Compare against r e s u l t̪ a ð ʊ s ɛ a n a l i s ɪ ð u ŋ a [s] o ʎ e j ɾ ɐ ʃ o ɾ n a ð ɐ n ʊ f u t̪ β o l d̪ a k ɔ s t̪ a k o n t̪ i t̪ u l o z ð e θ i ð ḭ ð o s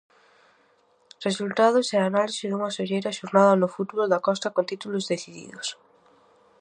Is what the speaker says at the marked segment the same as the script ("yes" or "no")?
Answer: yes